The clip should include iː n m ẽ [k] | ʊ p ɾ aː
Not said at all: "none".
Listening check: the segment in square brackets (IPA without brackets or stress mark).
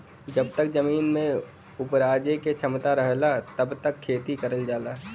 none